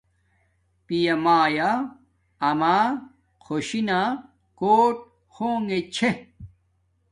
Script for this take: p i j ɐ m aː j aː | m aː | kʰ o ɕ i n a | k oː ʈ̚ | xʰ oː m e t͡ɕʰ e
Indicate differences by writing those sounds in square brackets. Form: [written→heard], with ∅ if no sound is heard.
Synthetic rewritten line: p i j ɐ m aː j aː | m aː | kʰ o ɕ i n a | k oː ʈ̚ | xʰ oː [m→ŋ] e t͡ɕʰ e